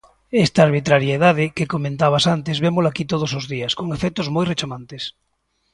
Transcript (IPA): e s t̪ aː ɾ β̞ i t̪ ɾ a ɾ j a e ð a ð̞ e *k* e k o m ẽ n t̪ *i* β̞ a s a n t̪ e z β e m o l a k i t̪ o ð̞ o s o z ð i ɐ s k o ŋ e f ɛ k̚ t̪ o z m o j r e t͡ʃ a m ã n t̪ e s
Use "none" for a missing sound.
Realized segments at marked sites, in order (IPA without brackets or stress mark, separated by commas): k, a